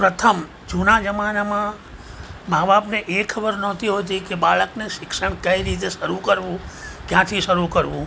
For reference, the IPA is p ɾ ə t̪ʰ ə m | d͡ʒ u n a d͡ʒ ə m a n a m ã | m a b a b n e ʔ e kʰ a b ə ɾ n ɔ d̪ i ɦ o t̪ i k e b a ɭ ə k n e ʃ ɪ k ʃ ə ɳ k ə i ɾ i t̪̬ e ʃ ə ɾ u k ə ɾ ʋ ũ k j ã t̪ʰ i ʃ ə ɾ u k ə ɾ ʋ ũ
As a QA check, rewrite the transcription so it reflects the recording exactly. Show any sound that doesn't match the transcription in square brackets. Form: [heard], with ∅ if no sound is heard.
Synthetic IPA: p ɾ ə t̪ʰ ə m | d͡ʒ u n a d͡ʒ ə m a n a m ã | m a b a b n e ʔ e kʰ [ə] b ə ɾ n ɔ [t̪] i ɦ o t̪ i k e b a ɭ ə k n e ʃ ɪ k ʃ ə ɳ k ə i ɾ i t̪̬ e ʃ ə ɾ u k ə ɾ ʋ ũ k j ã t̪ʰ i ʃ ə ɾ u k ə ɾ ʋ ũ